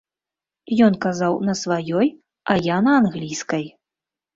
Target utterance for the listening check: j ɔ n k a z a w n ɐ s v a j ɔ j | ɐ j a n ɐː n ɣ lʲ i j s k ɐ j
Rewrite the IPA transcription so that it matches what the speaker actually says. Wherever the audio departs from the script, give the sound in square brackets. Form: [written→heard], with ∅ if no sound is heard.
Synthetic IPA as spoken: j ɔ n k a z a w n ɐ s v a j ɔ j | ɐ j a n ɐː n ɣ lʲ i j s k ɐ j

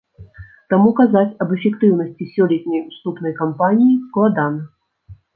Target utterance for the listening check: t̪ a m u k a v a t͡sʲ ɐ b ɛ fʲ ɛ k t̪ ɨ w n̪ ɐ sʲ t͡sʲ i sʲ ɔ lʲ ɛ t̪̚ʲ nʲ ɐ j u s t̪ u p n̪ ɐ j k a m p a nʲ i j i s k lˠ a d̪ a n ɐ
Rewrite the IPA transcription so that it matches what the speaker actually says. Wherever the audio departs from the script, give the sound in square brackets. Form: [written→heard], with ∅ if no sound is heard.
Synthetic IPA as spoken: t̪ a m u k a [v→z] a t͡sʲ ɐ b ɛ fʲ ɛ k t̪ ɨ w n̪ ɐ sʲ t͡sʲ i sʲ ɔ lʲ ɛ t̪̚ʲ nʲ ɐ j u s t̪ u p n̪ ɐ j k a m p a nʲ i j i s k lˠ a d̪ a n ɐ

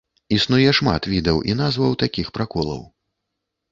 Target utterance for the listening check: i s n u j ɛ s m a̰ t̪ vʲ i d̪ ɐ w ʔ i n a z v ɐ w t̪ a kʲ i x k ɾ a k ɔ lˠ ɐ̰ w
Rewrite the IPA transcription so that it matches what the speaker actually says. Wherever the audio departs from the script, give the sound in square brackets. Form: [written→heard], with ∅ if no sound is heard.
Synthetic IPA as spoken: i s n u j ɛ [s→ʂ] m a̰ t̪ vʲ i d̪ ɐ w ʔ i n a z v ɐ w t̪ a kʲ i x [k→p] ɾ a k ɔ lˠ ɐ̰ w

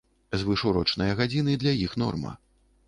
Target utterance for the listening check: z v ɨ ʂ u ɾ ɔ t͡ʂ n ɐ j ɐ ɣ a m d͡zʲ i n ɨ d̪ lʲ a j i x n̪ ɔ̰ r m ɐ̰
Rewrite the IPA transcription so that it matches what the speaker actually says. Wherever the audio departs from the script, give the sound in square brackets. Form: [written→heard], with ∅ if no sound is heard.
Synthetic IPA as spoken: z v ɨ ʂ u ɾ ɔ t͡ʂ n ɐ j ɐ ɣ a [m→∅] d͡zʲ i n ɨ d̪ lʲ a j i x n̪ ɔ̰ r m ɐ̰

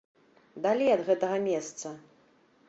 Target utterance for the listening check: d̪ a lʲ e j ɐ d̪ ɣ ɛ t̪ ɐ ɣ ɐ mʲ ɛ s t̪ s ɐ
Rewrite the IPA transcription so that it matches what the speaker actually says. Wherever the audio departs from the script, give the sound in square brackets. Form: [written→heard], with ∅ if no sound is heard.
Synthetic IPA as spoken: d̪ a lʲ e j ɐ d̪ ɣ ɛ t̪ ɐ ɣ ɐ mʲ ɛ s t̪ s ɐ

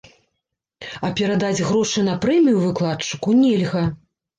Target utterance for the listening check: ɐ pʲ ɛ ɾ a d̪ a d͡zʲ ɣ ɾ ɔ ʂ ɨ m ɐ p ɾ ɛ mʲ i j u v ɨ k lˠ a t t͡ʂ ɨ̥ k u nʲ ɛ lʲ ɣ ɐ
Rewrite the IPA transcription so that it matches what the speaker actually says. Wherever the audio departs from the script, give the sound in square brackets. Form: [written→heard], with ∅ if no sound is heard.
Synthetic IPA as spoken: ɐ pʲ ɛ ɾ a d̪ a d͡zʲ ɣ ɾ ɔ ʂ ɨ [m→n] ɐ p ɾ ɛ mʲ i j u v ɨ k lˠ a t t͡ʂ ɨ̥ k u nʲ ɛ lʲ ɣ ɐ

